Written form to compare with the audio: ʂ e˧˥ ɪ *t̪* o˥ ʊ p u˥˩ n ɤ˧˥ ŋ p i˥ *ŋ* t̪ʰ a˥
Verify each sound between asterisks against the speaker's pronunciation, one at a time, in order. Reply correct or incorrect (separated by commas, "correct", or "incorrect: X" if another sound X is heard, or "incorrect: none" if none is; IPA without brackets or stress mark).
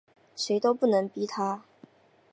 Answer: correct, incorrect: none